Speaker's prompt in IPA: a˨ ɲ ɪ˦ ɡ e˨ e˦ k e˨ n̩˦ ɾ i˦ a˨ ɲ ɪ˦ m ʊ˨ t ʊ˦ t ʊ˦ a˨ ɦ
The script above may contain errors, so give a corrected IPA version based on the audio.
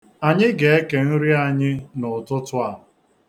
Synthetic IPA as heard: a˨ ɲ ɪ˦ ɡ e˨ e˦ k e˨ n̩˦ ɾ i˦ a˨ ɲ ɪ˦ n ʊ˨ t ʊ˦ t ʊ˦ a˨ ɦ